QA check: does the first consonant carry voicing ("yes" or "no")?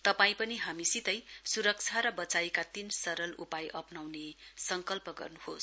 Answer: no